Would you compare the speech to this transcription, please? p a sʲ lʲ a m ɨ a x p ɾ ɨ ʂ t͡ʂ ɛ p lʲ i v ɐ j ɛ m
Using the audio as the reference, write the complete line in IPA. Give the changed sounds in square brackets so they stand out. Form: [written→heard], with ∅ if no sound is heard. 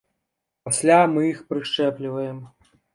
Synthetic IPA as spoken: p a sʲ lʲ a m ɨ [a→i] x p ɾ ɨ ʂ t͡ʂ ɛ p lʲ i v ɐ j ɛ m